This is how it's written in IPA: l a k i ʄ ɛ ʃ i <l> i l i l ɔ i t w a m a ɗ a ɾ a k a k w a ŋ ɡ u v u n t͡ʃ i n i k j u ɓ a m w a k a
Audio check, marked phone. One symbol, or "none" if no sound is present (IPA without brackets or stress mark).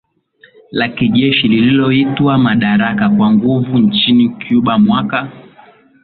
l